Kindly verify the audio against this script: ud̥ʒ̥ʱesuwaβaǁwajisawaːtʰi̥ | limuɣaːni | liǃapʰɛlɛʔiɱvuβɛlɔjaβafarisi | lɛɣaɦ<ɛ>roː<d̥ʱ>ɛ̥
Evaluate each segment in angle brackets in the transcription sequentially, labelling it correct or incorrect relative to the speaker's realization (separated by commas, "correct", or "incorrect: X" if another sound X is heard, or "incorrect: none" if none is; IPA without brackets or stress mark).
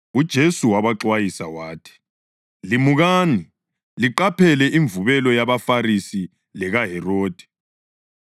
correct, correct